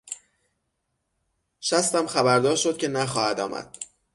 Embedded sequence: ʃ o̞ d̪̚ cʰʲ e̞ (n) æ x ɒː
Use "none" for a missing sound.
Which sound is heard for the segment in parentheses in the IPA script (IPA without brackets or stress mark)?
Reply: n